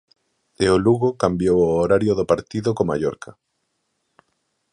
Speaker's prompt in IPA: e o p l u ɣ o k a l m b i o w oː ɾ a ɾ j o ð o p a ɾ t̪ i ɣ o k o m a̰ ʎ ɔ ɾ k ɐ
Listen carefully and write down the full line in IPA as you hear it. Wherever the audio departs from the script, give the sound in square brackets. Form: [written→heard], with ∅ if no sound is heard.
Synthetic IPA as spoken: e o [p→∅] l u ɣ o k a [l→∅] m b [i→j] o w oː ɾ a ɾ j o ð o p a ɾ t̪ i [ɣ→ð] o k o m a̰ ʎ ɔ ɾ k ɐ